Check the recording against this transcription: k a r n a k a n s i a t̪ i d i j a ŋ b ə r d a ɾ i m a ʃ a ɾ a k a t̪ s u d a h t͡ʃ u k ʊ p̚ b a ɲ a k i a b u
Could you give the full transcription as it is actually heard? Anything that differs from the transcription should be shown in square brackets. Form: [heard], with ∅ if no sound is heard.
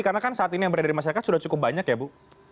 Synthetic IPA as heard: k a r n a k a n s [a] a t̪ i [n] i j a ŋ b ə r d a ɾ i m a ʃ a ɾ a k a t̪ s u d a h t͡ʃ u k ʊ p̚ b a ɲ a k [j] a b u